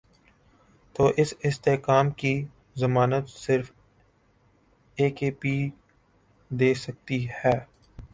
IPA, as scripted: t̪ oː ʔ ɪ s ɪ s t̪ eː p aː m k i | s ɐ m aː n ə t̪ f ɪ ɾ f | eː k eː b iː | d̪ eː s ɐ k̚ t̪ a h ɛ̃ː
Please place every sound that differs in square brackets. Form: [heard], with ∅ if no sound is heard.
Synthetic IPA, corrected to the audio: t̪ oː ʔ ɪ s ɪ s t̪ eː [k] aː m k i | [z] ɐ m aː n ə t̪ [s] ɪ ɾ f | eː k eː [p] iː | d̪ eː s ɐ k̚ t̪ [i] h [ɛː]